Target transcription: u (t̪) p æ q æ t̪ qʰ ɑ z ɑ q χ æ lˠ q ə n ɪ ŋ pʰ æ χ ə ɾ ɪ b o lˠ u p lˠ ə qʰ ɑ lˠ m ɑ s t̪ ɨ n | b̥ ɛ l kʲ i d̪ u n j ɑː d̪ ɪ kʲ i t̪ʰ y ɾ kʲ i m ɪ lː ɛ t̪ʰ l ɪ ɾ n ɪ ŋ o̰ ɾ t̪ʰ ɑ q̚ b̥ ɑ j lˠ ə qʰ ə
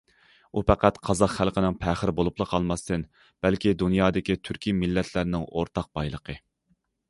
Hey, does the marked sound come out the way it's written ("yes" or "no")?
no